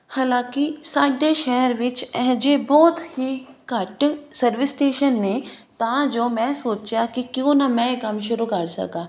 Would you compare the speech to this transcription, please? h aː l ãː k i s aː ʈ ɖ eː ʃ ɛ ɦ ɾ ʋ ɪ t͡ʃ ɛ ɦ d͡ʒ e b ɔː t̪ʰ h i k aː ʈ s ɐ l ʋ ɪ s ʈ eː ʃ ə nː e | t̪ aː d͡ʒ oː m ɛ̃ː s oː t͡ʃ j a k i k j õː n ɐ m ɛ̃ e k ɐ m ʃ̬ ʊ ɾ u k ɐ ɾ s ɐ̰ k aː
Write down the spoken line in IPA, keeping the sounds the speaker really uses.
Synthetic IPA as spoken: h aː l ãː k i s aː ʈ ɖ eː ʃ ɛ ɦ ɾ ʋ ɪ t͡ʃ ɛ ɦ d͡ʒ e b ɔː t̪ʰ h i k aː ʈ s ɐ ɾ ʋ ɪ s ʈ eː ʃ ə nː e | t̪ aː d͡ʒ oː m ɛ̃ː s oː t͡ʃ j a k i k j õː n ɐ m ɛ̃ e k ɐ m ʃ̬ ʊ ɾ u k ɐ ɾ s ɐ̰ k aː